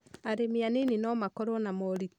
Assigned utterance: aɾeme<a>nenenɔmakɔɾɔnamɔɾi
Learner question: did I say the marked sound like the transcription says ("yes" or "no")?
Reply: yes